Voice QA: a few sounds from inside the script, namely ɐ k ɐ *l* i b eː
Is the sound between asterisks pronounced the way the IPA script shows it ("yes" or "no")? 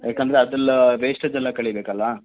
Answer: no